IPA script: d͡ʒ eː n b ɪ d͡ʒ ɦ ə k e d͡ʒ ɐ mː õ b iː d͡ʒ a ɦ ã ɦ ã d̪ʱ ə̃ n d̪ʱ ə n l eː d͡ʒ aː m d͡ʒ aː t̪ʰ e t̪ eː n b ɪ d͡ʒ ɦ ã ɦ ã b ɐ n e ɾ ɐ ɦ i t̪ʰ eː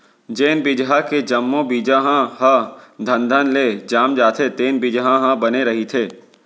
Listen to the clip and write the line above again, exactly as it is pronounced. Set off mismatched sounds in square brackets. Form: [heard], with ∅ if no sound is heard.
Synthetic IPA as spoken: d͡ʒ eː n b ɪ d͡ʒ ɦ [a] k e d͡ʒ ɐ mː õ b iː d͡ʒ a ɦ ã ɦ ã d̪ʱ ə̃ n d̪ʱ ə n l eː d͡ʒ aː m d͡ʒ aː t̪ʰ e t̪ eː n b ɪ d͡ʒ ɦ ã ɦ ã b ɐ n e ɾ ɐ ɦ i t̪ʰ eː